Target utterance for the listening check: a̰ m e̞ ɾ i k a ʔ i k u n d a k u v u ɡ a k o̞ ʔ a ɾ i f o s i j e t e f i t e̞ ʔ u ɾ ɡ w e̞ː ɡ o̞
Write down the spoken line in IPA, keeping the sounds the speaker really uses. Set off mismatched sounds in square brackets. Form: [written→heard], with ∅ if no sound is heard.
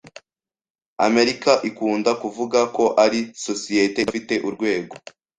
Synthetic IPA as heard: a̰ m e̞ ɾ i k a ʔ i k [u→uː] n d a k u v u ɡ a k o̞ ʔ a ɾ i [f→s] o s i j e t e f i t e̞ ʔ u ɾ ɡ w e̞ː ɡ o̞